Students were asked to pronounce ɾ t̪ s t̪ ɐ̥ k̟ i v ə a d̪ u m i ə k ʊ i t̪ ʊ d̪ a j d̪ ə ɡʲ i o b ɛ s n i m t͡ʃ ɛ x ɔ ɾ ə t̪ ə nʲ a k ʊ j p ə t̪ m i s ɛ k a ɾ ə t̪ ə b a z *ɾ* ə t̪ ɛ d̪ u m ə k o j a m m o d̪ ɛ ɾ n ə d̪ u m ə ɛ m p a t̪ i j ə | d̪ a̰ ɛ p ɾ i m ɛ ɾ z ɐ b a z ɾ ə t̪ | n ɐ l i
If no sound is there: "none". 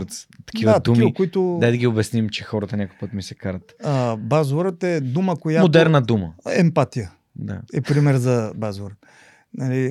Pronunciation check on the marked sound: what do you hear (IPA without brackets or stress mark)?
ɾ